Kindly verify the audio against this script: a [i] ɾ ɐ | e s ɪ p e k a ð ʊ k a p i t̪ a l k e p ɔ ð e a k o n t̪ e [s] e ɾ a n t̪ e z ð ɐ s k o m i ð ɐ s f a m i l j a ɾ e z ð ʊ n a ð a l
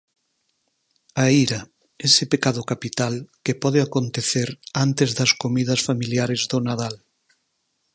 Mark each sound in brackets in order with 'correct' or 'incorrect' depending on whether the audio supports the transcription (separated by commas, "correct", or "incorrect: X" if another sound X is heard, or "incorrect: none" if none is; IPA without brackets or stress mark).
correct, incorrect: θ